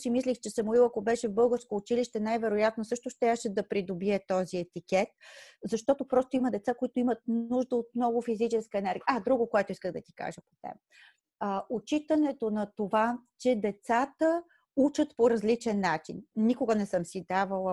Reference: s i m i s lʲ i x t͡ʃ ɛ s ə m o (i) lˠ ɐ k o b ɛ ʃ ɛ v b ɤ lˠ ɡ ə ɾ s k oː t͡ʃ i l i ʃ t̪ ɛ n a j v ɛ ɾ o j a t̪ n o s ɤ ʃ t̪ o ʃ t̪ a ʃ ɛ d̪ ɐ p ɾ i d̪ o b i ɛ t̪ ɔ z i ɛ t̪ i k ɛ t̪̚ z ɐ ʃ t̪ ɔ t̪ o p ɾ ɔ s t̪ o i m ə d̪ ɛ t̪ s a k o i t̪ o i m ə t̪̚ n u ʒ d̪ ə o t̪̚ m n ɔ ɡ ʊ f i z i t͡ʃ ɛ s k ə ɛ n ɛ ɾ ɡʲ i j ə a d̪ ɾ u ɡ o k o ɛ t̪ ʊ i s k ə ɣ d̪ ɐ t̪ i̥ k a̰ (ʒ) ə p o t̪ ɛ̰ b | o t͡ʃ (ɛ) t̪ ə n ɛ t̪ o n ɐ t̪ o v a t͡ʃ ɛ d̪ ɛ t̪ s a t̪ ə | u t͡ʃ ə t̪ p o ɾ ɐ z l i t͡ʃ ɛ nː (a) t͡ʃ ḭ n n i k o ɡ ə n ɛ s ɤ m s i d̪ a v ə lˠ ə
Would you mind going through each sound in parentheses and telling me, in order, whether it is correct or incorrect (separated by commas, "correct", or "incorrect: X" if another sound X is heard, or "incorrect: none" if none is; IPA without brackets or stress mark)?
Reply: correct, correct, incorrect: i, correct